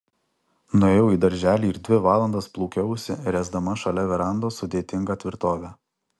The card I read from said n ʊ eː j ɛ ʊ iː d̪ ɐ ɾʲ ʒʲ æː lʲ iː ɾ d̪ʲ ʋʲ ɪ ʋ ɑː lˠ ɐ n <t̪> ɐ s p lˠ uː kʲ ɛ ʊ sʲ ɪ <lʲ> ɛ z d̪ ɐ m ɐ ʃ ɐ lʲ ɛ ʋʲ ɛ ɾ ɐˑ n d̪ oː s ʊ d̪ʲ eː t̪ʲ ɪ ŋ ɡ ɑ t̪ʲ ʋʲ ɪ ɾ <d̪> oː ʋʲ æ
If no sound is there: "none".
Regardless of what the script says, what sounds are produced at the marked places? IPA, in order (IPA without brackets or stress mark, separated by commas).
d̪, ɾʲ, t̪